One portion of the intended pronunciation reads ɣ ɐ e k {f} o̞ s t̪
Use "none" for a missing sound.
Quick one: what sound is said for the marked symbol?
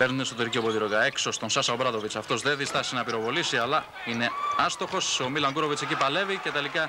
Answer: s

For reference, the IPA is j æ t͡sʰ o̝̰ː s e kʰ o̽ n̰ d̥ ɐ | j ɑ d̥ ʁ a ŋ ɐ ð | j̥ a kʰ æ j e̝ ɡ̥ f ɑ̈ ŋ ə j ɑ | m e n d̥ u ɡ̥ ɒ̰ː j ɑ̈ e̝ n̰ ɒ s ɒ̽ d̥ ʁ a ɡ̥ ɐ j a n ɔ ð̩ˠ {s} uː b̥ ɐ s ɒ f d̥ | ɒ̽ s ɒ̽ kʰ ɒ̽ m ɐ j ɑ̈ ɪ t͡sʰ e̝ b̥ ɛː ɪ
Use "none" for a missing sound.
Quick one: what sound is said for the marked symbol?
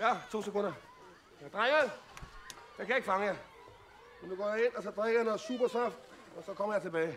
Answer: s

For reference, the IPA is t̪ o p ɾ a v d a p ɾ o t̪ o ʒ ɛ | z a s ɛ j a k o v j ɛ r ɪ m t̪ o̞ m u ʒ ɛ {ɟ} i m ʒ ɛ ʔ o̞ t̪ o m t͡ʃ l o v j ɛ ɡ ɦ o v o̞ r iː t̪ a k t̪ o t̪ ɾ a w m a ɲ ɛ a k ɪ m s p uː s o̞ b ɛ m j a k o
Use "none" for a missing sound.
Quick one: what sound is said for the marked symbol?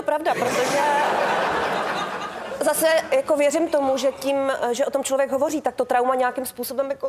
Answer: c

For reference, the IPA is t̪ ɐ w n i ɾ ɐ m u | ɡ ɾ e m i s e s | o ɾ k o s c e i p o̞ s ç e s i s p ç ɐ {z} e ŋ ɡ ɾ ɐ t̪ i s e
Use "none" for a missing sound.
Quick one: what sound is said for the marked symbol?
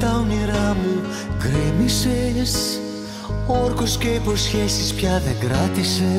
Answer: ð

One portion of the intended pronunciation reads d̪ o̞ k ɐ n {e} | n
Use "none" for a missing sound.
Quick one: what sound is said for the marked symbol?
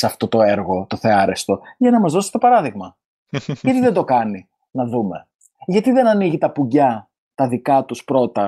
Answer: i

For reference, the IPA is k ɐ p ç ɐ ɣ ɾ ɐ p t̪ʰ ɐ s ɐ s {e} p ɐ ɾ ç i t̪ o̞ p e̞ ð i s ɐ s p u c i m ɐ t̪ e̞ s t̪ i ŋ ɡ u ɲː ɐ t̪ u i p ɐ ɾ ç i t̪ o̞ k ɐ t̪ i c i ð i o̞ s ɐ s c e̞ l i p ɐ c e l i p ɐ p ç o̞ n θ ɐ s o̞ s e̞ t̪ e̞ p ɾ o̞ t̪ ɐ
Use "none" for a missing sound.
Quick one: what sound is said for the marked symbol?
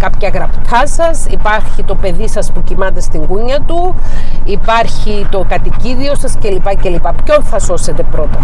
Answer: i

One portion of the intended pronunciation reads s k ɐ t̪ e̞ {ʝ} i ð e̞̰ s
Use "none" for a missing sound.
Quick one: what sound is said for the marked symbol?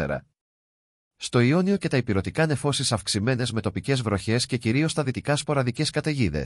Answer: ʝ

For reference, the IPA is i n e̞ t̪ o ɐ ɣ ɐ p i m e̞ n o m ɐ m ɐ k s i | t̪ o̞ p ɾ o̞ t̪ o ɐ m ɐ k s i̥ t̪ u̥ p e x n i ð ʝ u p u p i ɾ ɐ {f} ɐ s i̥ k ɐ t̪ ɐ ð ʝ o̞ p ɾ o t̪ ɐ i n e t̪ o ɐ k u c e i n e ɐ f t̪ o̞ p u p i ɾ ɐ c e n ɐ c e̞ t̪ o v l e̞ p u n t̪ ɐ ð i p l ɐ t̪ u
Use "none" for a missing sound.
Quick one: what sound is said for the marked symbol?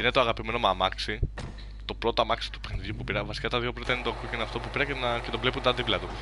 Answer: v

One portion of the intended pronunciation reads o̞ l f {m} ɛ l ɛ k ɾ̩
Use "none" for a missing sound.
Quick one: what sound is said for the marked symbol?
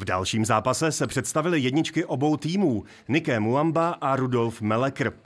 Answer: m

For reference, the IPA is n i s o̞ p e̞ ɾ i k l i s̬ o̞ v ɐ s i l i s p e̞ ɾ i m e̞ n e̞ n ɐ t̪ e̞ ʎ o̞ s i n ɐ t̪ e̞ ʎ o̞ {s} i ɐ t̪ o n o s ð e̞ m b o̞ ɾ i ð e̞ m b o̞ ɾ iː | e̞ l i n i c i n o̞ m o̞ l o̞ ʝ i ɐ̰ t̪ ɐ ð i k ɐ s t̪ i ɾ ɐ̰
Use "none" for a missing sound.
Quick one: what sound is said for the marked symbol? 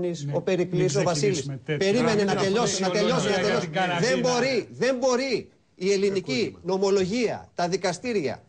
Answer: s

